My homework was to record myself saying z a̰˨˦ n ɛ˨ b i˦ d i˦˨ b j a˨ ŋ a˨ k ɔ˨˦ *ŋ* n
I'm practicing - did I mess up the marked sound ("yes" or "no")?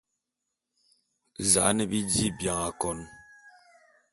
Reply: yes